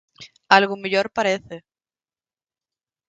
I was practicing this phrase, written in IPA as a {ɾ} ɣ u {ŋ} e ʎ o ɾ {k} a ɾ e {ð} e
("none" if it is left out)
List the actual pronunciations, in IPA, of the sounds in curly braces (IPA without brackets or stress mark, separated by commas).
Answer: l, m, p, θ